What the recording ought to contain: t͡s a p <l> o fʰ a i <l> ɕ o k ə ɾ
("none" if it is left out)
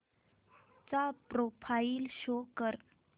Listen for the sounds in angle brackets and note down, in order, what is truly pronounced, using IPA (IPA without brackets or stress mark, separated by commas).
ɾ, l